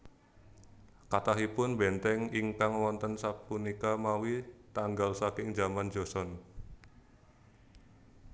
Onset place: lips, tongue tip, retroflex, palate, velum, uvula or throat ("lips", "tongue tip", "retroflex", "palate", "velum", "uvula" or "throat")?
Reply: velum